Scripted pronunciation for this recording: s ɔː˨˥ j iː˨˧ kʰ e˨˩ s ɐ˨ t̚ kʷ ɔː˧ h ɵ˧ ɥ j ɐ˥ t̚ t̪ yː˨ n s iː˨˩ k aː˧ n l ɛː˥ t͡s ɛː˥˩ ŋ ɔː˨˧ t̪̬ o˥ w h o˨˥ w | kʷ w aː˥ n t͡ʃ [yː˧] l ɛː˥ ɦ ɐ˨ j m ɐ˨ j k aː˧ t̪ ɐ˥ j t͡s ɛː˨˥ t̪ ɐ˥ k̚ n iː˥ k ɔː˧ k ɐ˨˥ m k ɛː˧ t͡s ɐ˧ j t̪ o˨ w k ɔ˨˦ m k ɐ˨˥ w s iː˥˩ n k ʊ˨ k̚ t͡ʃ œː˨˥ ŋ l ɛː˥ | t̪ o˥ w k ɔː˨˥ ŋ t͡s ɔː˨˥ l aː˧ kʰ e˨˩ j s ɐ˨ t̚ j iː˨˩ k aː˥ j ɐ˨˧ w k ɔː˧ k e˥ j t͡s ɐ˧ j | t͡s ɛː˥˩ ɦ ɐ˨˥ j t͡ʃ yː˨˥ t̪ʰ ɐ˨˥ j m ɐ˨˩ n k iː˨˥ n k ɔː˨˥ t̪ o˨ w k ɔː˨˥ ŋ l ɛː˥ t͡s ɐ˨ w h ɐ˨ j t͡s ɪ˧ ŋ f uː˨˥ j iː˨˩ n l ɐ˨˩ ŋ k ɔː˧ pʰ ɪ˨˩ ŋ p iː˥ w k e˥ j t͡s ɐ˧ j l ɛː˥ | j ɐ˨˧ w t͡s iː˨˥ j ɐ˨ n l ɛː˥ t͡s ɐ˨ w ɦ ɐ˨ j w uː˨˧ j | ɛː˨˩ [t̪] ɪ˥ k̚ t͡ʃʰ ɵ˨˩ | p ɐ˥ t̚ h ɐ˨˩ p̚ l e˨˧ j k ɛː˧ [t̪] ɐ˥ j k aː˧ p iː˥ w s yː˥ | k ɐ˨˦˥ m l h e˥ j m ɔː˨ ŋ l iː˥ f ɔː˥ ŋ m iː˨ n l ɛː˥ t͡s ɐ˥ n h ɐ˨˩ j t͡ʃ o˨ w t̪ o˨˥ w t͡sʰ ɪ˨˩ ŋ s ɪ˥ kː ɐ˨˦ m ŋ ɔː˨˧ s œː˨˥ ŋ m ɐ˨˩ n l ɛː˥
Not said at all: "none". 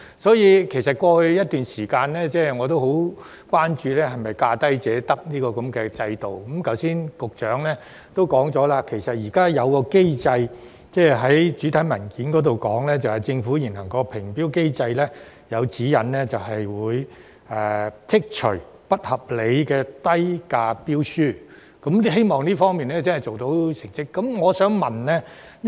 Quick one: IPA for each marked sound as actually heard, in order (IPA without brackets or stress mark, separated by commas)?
yː˧, t̪ʰ, t̪